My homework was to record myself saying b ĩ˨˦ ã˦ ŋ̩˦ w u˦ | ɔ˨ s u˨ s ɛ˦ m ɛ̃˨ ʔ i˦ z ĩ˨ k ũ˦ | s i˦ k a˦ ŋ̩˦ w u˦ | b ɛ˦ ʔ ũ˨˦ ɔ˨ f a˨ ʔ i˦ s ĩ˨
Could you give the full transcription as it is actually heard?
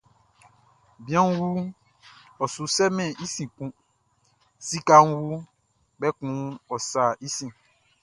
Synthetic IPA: b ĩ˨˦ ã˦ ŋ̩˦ w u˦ | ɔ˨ s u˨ s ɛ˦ m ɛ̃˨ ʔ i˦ s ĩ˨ k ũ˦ | s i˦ k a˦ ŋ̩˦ w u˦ | b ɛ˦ k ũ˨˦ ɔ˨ s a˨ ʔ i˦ s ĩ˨